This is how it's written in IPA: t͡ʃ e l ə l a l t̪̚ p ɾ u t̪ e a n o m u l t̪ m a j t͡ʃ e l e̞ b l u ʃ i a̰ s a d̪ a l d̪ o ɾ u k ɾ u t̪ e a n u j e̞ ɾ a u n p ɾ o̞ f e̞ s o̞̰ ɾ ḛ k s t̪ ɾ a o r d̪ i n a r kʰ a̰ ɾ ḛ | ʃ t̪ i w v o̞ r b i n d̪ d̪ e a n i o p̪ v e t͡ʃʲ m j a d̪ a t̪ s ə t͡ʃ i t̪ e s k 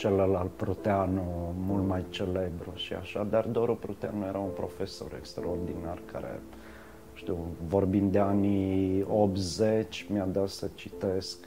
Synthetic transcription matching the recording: t͡ʃ e l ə l a l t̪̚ p ɾ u t̪ e a n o m u l t̪ m a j t͡ʃ e l e̞ b ɾ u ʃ i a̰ ʃ a d̪ a r d̪ o ɾ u p ɾ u t̪ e a n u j e̞ ɾ a u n p ɾ o̞ f e̞ s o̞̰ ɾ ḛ k s t̪ ɾ a o r d̪ i n a r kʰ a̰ ɾ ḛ | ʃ t̪ i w v o̞ r b i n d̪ d̪ e a n i o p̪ z e t͡ʃʲ m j a d̪ a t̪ s ə t͡ʃ i t̪ e s k